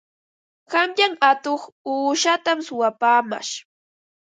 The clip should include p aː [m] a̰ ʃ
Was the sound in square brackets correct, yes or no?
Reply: yes